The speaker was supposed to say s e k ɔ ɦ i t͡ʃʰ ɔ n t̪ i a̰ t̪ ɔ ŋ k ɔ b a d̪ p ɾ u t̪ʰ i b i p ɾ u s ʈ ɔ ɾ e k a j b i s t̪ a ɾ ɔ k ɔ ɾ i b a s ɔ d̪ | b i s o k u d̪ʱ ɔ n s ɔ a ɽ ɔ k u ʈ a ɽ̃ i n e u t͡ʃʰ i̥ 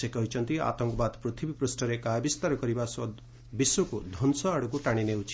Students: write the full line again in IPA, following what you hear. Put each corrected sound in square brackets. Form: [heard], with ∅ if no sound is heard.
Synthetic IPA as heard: s e k ɔ ɦ i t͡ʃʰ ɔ n t̪ i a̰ t̪ ɔ ŋ k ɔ b a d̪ p ɾ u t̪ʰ i b i p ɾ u s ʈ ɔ ɾ e k a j b i s t̪ a ɾ ɔ k ɔ ɾ i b a s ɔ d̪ | b i s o k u d̪ʱ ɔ n s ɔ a ɽ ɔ k u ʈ a ɽ̃ i n e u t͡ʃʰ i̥

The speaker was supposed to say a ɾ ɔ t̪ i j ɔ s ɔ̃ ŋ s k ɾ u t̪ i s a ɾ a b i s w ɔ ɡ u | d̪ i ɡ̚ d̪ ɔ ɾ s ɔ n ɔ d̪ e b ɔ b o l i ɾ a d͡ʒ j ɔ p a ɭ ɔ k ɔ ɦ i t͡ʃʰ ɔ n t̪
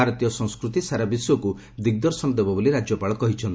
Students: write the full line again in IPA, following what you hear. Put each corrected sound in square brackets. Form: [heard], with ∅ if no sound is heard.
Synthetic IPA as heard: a ɾ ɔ t̪ i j ɔ s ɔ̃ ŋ s k ɾ u t̪ i s a ɾ a b i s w ɔ [k] u | d̪ i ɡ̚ d̪ ɔ ɾ s ɔ n ɔ d̪ e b ɔ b o l i ɾ a d͡ʒ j ɔ p a ɭ ɔ k ɔ ɦ i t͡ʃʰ ɔ n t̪

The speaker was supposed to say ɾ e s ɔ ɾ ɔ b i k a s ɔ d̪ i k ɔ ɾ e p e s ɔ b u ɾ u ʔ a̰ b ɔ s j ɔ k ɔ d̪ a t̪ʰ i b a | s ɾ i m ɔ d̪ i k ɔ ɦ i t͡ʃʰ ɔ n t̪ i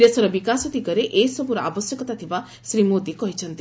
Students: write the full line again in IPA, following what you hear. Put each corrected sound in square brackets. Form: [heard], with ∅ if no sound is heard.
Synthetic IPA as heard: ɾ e s ɔ ɾ ɔ b i k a s ɔ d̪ i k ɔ ɾ e [ʔ] e s ɔ b u ɾ [ɔ] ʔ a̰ b ɔ s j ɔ k ɔ [t̪] a t̪ʰ i b a | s ɾ i m [o] d̪ i k ɔ ɦ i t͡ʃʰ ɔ n t̪ i

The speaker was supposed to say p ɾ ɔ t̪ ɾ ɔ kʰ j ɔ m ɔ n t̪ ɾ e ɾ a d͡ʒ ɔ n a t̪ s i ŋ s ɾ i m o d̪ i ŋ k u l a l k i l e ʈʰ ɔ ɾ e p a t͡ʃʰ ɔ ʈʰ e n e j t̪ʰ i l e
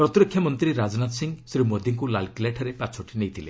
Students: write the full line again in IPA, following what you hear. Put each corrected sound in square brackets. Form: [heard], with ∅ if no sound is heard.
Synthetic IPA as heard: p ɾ ɔ t̪ ɾ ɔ kʰ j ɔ m ɔ n t̪ ɾ [i] ɾ a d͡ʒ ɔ n a t̪ s i ŋ s ɾ i m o d̪ i ŋ k u l a l k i l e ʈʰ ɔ ɾ e p a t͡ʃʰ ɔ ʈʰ [i] n e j t̪ʰ i l e

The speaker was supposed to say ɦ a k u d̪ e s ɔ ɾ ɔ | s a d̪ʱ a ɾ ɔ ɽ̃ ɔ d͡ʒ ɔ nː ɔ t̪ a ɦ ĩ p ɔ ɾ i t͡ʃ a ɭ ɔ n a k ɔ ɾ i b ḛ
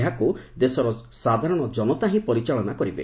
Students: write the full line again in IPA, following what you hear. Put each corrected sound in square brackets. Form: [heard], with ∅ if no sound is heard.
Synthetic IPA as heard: ɦ a k u d̪ e s ɔ ɾ ɔ | s a d̪ʱ a ɾ ɔ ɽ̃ ɔ d͡ʒ ɔ [n] ɔ t̪ a ɦ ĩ p ɔ ɾ i t͡ʃ a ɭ ɔ n a k ɔ ɾ i b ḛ

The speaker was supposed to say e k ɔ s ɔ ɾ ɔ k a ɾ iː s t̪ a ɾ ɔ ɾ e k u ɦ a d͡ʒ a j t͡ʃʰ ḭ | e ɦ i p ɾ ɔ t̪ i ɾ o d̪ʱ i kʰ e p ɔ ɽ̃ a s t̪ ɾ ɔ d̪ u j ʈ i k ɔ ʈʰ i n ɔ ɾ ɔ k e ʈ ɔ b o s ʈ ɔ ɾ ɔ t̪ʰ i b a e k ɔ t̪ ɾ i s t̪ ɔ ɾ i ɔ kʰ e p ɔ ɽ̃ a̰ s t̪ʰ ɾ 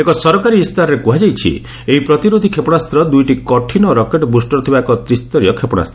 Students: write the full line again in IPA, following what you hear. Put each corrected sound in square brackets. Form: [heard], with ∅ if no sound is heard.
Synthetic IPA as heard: e k ɔ s ɔ ɾ ɔ k a ɾ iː s t̪ a ɾ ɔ ɾ e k u ɦ a d͡ʒ a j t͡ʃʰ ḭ | e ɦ i p ɾ ɔ t̪ i ɾ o d̪ʱ i kʰ e p ɔ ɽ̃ a s t̪ ɾ ɔ d̪ u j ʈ i k ɔ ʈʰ i n ɔ ɾ ɔ k e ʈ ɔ b [u] s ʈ ɔ ɾ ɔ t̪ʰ i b a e k ɔ t̪ ɾ i s t̪ ɔ ɾ i ɔ kʰ e p ɔ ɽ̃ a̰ s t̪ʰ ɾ

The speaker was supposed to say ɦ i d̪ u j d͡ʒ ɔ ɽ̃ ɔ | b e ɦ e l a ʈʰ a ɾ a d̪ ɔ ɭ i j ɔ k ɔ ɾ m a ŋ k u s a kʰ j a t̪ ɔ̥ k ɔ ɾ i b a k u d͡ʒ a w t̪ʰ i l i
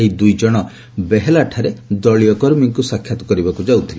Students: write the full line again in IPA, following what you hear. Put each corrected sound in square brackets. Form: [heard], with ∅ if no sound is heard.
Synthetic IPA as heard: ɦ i d̪ u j d͡ʒ ɔ ɽ̃ ɔ | b e ɦ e l a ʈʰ a ɾ [e] d̪ ɔ ɭ i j ɔ k ɔ ɾ m [i] ŋ k u s a kʰ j a t̪ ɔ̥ k ɔ ɾ i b a k u d͡ʒ a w t̪ʰ i l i

